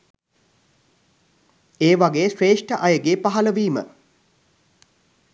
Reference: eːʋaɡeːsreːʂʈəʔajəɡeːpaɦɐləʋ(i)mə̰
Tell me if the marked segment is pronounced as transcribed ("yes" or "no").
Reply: no